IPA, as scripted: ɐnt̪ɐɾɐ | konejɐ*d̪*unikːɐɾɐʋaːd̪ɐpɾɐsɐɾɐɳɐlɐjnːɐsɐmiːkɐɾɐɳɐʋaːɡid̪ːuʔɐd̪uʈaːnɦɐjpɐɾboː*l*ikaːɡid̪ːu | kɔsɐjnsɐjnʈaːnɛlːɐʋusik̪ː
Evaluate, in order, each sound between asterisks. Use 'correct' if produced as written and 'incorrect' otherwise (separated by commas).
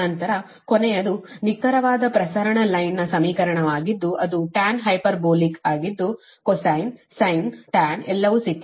correct, correct